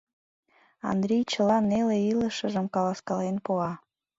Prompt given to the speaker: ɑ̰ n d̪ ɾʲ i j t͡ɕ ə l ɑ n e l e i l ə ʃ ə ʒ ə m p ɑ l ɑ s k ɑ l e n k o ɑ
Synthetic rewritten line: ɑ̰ n d̪ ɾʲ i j t͡ɕ ə l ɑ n e l e i l ə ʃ ə ʒ ə m k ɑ l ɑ s k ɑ l e n p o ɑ